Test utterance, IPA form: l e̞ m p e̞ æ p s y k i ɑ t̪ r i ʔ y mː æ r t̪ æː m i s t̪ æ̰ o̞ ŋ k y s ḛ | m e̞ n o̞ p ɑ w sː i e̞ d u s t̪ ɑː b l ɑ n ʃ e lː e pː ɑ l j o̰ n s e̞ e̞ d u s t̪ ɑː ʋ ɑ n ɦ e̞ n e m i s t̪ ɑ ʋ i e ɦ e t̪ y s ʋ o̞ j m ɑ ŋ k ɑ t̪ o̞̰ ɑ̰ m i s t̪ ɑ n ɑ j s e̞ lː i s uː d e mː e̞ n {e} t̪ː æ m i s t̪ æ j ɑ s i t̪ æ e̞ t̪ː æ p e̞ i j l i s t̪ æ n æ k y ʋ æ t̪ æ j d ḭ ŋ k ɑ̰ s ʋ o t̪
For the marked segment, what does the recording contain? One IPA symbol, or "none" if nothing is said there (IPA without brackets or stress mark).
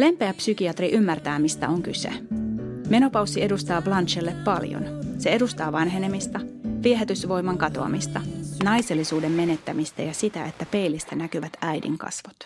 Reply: e